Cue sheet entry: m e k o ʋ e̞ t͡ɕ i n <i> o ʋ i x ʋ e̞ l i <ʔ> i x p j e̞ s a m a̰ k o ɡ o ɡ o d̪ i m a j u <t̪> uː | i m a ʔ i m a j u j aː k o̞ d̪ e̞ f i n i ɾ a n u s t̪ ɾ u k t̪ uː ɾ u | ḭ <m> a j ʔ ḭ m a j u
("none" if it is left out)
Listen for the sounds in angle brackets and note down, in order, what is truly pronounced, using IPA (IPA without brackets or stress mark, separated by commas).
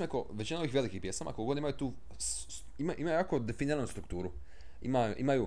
a, k, t̪, m